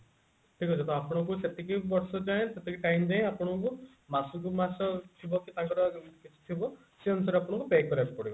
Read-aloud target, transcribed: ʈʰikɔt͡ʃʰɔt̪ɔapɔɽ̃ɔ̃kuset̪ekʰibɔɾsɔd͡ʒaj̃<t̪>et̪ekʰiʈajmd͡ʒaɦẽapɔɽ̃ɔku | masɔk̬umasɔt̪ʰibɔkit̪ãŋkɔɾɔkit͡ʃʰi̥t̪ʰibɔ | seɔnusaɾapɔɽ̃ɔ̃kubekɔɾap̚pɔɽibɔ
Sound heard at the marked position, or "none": t̪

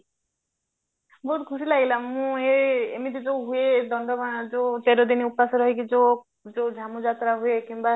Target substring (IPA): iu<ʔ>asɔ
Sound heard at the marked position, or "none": p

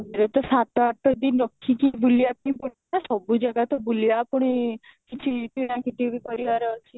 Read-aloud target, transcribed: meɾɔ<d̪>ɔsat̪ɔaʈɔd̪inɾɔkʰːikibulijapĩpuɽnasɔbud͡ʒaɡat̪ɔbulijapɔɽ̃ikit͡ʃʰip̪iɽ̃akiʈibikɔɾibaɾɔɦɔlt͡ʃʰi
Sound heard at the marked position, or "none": t̪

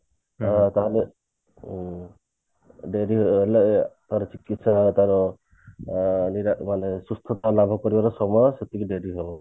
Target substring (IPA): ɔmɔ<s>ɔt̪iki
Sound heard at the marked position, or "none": s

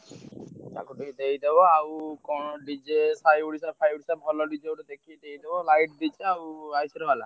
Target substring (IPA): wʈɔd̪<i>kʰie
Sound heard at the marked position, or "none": e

